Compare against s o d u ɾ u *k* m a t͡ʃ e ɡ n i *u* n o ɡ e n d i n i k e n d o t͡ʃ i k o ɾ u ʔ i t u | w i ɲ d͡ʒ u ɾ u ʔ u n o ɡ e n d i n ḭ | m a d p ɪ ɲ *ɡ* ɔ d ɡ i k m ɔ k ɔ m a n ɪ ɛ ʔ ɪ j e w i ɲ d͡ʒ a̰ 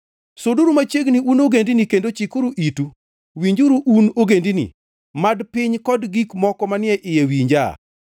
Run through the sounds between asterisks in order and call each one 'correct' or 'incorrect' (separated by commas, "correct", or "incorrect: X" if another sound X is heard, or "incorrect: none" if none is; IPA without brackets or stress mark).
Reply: incorrect: none, correct, incorrect: k